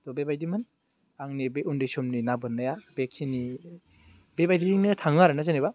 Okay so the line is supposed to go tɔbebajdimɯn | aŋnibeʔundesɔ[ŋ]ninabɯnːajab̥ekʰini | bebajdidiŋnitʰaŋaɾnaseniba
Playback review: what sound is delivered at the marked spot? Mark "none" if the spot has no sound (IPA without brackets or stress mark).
m